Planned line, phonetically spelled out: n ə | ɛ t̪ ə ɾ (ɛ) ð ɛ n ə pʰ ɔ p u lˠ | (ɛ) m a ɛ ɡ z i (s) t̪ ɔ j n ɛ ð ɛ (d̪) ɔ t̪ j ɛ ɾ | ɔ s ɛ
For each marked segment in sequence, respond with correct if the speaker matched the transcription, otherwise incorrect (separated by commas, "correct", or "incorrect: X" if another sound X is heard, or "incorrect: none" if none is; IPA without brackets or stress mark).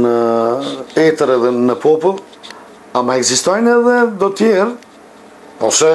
correct, incorrect: a, correct, correct